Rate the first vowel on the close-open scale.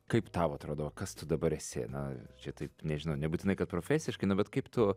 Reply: open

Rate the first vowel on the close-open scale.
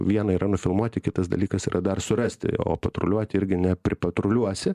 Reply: close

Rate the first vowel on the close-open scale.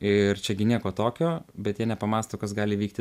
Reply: close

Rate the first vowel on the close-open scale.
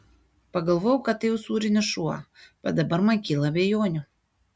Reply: open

